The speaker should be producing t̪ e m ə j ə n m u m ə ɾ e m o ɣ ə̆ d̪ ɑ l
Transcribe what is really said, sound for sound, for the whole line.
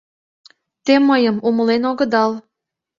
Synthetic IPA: t̪ e m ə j ə m u m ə l e n o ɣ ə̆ d̪ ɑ l